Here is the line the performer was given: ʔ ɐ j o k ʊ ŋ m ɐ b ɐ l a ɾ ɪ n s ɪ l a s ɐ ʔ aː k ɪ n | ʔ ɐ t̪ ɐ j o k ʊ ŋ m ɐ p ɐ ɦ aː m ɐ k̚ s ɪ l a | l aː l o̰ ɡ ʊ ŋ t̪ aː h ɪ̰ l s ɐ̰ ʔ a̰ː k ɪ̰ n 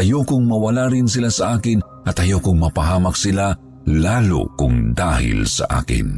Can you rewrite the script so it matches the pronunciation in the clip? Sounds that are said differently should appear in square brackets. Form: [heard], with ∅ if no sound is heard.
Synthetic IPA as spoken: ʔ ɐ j o k ʊ ŋ m ɐ [w] ɐ l a ɾ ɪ n s ɪ l a s ɐ ʔ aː k ɪ n | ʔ ɐ t̪ ɐ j o k ʊ ŋ m ɐ p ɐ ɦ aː m ɐ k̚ s ɪ l a | l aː l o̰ [k] ʊ ŋ [d̪] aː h ɪ̰ l s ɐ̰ ʔ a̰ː k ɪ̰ n